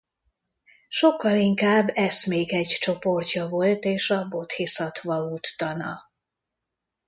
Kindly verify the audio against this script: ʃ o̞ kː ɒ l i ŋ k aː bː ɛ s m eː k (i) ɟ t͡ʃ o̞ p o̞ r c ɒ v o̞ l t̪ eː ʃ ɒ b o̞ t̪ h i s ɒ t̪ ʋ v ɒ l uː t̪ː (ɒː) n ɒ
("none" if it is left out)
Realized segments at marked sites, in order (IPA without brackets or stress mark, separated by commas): ɛ, ɒ